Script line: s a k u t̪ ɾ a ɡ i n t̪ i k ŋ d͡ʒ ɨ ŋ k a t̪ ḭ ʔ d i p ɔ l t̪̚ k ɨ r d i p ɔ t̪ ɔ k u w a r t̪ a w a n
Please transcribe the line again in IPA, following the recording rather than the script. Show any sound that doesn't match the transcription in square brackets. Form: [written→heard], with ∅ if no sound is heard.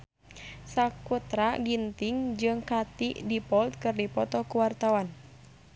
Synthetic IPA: s a k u t̪ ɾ a ɡ i n t̪ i [k→∅] ŋ d͡ʒ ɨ ŋ k a t̪ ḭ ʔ d i p ɔ l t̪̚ k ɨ r d i p ɔ t̪ ɔ k u w a r t̪ a w a n